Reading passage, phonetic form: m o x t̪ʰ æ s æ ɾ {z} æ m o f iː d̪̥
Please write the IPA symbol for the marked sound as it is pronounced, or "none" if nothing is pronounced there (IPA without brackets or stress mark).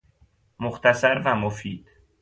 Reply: v